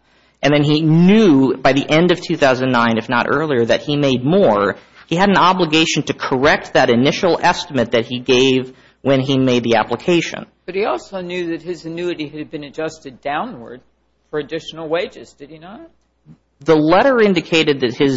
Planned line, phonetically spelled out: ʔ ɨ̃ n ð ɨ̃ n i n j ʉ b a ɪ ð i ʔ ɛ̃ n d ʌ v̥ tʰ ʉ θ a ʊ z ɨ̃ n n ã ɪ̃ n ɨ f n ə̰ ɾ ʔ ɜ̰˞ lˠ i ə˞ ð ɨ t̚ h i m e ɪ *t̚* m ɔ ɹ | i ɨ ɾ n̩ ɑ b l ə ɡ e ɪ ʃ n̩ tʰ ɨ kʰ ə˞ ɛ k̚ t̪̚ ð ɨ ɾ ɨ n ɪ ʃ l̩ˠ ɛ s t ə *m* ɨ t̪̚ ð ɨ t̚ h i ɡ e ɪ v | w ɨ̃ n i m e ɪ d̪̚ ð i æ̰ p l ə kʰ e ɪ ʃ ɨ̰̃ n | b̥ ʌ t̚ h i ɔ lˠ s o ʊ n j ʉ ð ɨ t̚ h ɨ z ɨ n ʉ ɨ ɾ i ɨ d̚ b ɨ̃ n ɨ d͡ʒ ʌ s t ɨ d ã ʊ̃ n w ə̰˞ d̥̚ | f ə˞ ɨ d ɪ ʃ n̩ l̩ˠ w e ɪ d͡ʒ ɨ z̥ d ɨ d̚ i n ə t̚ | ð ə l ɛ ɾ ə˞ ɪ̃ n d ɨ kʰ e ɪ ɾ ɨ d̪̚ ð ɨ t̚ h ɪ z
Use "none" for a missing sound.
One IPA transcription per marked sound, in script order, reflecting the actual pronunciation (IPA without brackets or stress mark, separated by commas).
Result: d̚, m